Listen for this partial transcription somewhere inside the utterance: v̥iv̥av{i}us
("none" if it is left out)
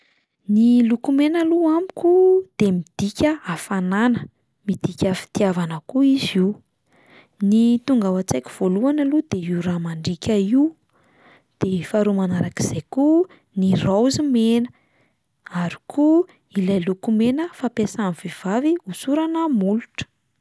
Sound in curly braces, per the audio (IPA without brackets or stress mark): i